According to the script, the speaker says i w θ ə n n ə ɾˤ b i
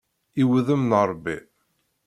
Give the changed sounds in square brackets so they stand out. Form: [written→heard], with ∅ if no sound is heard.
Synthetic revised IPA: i w [θ→ð] ə [n→m] n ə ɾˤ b i

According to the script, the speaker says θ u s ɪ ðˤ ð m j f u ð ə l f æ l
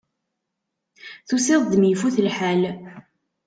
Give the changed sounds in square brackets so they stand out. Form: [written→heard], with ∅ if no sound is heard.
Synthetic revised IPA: θ u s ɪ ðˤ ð m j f u [ð→θ] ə l [f→ħ] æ l

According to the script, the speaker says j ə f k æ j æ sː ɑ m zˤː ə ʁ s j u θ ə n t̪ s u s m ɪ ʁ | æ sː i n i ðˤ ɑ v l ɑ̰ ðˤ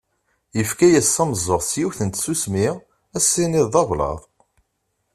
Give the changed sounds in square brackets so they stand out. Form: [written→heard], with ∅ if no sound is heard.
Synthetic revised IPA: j ə f k æ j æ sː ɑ m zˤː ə ʁ s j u θ ə n t̪ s u s m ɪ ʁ | æ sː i n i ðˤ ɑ v l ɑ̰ ðˤ

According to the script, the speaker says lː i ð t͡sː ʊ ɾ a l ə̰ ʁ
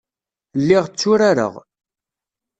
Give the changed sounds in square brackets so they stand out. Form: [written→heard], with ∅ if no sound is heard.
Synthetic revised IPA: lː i [ð→ʁ] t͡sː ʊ ɾ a [l→ɾ] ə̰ ʁ

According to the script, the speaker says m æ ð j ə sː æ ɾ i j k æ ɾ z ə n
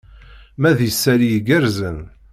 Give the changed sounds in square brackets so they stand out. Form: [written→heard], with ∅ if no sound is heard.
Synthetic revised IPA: m æ ð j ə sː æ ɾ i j [k→ɡ] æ ɾ z ə n

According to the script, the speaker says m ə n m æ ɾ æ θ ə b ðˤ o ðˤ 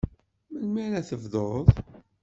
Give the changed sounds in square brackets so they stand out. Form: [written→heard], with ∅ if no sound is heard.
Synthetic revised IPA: m ə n m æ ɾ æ θ ə [b→v] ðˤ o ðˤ

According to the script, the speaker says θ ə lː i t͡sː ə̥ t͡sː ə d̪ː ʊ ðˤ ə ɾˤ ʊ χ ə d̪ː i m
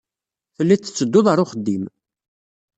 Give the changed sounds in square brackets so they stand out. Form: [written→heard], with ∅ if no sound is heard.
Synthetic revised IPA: θ ə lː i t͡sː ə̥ t͡sː ə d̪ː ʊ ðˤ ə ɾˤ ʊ χ ə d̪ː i m

